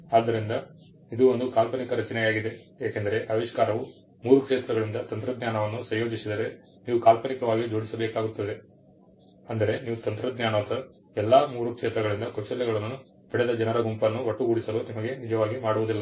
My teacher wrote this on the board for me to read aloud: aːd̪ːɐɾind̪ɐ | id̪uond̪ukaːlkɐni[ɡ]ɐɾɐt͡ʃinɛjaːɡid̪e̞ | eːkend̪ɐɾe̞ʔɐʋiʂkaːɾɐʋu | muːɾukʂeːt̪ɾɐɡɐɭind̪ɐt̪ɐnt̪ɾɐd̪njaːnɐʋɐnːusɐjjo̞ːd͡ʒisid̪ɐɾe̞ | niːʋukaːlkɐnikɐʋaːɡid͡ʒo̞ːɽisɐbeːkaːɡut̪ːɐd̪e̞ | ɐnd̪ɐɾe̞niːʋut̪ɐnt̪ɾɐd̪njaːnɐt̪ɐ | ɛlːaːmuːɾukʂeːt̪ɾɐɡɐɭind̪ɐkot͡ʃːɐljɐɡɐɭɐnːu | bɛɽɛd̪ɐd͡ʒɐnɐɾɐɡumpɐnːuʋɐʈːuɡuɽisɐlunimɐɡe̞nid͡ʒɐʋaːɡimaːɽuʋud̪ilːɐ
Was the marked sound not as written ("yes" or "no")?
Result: yes